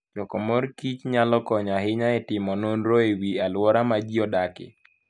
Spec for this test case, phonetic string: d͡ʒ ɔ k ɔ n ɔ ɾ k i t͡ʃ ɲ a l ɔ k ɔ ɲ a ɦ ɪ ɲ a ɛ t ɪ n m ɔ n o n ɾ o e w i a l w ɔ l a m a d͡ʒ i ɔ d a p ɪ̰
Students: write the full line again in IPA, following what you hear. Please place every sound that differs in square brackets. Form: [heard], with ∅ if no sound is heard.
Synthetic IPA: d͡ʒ ɔ k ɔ [m] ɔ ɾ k i t͡ʃ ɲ a l ɔ k ɔ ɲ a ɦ ɪ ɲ a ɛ t ɪ [∅] m ɔ n o n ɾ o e w i a l w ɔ [ɾ] a m a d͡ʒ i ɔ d a [k] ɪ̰